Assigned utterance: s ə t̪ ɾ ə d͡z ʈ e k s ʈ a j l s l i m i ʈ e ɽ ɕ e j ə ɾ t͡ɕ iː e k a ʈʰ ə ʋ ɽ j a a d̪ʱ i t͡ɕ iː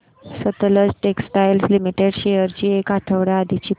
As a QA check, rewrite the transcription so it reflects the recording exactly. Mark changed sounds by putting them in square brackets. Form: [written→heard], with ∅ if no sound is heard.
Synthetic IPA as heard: s ə t̪ [ɾ→l] ə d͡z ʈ e k s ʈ a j l s l i m i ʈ e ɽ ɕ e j ə ɾ t͡ɕ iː e k a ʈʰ ə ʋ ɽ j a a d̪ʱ i t͡ɕ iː